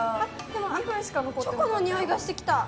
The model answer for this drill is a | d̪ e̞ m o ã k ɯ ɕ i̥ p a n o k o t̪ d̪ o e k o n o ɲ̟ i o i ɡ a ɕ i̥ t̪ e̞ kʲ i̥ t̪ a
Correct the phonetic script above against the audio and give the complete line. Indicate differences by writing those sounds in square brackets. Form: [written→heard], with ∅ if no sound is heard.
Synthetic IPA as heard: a | d̪ e̞ m o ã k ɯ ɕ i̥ [p→k] a n o k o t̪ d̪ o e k o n o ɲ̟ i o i ɡ a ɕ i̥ t̪ e̞ kʲ i̥ t̪ a